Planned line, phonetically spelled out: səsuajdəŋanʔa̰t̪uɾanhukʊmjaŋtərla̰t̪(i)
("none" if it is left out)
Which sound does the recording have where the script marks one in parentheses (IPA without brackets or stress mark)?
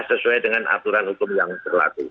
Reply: i